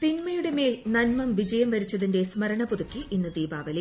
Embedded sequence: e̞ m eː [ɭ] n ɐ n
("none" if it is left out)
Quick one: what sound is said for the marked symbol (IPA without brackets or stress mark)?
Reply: l